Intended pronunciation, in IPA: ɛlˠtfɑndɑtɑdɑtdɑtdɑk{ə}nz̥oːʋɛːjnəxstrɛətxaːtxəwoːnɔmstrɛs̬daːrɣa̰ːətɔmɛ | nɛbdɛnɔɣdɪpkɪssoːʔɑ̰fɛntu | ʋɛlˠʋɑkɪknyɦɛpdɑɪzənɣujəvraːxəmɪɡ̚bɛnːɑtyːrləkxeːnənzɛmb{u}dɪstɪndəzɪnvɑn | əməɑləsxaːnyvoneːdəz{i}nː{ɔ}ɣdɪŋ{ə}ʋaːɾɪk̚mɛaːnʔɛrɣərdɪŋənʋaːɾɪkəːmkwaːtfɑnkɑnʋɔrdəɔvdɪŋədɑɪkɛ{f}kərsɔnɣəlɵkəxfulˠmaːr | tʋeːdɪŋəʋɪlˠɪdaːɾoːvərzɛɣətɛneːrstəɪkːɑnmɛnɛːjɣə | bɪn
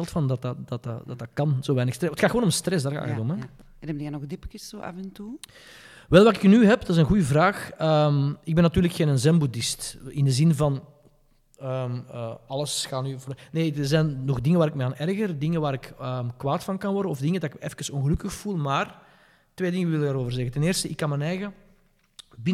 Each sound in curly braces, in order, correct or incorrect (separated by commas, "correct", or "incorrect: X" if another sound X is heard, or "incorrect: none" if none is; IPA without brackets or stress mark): incorrect: ɑ, correct, incorrect: ɛ, correct, correct, correct